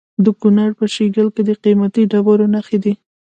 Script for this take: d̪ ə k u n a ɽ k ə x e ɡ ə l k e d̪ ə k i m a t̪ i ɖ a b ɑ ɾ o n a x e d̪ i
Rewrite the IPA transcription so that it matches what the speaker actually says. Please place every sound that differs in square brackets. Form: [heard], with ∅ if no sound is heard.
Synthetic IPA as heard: d̪ ə k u n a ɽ [p] ə [ʃ] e ɡ ə l k e d̪ ə [q] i m a t̪ i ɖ a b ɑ ɾ o n a x e d̪ i